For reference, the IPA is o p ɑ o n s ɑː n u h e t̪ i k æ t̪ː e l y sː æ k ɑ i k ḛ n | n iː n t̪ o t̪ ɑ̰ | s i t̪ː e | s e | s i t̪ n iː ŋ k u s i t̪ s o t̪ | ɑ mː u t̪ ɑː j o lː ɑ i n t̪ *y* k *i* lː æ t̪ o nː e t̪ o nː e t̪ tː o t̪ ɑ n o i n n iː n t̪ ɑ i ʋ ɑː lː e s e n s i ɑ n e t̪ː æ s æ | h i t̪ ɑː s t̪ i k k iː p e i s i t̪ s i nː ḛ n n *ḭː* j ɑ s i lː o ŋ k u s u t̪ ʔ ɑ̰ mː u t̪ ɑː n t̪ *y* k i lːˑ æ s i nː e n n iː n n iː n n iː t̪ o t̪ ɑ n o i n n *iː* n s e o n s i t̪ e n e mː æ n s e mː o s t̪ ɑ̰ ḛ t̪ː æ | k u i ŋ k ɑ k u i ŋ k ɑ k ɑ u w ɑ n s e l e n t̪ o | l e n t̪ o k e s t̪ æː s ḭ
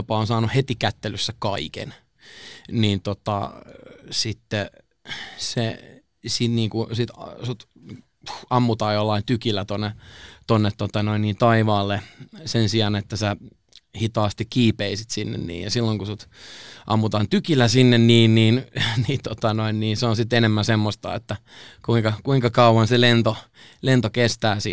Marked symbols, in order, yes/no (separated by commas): yes, yes, yes, yes, yes